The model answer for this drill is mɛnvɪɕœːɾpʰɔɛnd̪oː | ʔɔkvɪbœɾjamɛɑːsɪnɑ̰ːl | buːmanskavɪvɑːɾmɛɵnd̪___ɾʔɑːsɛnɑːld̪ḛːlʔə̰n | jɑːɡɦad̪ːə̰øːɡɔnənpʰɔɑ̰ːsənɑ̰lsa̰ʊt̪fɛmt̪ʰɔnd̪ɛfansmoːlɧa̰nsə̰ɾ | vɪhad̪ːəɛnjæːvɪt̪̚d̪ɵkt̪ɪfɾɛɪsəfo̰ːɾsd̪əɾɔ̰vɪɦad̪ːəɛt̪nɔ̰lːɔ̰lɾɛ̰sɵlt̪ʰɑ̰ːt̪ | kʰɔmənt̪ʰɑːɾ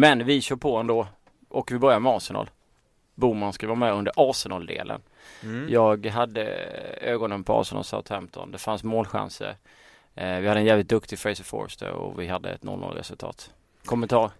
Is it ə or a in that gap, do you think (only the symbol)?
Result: ə